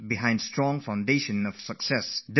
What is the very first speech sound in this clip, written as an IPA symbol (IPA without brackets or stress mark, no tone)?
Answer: b